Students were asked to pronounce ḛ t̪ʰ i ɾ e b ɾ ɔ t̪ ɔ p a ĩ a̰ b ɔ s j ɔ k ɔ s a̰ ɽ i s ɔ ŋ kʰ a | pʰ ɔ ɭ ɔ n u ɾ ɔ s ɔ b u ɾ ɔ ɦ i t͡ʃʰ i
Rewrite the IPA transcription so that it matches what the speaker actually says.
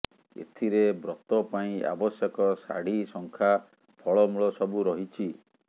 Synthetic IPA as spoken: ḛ t̪ʰ i ɾ e b ɾ ɔ t̪ ɔ p a ĩ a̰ b ɔ s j ɔ k ɔ s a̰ ɽ i s ɔ ŋ kʰ a | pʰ ɔ ɭ ɔ m u ɭ ɔ s ɔ b u ɾ ɔ ɦ i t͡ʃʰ i

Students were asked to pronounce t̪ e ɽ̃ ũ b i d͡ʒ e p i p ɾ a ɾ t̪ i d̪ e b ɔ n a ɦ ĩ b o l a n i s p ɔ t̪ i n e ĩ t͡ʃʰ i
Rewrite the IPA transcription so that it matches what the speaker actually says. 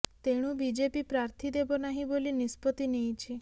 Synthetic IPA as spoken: t̪ e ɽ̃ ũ b i d͡ʒ e p i p ɾ a ɾ t̪ʰ i d̪ e b ɔ n a ɦ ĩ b o l i n i s p ɔ t̪ i n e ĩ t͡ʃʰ i

